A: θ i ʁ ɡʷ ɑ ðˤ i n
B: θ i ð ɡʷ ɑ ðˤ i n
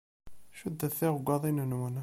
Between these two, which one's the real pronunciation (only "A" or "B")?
A